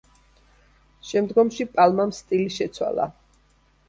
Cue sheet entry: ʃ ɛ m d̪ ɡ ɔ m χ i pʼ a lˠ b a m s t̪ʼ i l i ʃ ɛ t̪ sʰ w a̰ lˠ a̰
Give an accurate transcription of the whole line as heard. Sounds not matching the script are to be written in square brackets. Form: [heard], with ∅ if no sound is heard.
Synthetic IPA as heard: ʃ ɛ m d̪ ɡ ɔ m [ʃ] i pʼ a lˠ [m] a m s t̪ʼ i l i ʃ ɛ t̪ sʰ w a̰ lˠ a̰